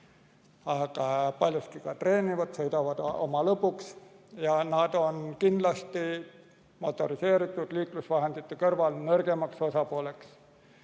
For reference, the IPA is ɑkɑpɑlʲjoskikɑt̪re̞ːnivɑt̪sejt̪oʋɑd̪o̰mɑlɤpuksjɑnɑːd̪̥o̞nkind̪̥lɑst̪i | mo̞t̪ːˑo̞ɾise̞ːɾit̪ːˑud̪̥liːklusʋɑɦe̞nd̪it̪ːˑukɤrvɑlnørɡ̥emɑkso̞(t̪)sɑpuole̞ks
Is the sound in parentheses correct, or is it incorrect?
incorrect